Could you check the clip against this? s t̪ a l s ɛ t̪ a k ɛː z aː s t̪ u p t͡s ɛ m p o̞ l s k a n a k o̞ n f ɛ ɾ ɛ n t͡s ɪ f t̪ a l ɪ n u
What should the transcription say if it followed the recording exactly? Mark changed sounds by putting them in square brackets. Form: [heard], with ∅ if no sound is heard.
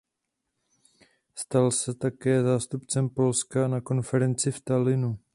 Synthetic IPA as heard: s t̪ a l s ɛ t̪ a k ɛː z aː s t̪ u p t͡s ɛ m p o̞ l s k a n a k o̞ n f ɛ ɾ ɛ n t͡s ɪ f t̪ a l ɪ n u